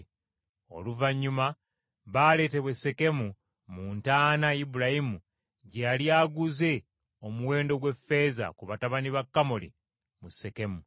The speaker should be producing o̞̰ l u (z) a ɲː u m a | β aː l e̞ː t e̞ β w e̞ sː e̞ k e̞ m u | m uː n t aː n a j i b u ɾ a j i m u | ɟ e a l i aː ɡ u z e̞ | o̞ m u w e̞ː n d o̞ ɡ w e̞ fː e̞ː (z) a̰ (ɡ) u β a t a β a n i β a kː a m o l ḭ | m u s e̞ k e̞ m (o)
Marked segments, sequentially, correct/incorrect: incorrect, correct, incorrect, incorrect

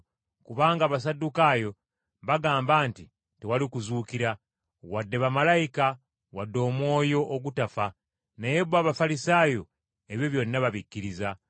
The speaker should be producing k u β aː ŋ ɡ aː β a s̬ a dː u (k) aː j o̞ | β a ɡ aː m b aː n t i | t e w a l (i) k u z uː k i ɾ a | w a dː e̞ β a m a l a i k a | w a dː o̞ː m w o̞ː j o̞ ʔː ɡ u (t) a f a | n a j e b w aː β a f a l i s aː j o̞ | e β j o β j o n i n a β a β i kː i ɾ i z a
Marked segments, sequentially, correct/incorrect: correct, correct, correct

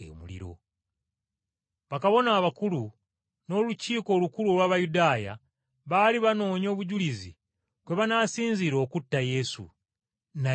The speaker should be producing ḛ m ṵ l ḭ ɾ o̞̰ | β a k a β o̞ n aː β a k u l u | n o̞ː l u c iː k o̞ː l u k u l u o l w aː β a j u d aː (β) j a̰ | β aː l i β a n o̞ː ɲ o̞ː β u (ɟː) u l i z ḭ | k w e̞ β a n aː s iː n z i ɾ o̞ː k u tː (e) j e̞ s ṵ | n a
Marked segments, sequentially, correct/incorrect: incorrect, incorrect, incorrect

